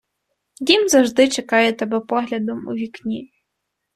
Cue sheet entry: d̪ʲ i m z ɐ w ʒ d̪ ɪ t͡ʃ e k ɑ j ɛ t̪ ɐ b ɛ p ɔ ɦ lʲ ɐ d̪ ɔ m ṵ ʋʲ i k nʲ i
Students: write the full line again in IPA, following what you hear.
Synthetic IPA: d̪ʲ i m z ɐ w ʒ d̪ ɪ t͡ʃ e k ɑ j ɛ t̪ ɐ b ɛ p ɔ ɦ lʲ ɐ d̪ ɔ m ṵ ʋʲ i k nʲ i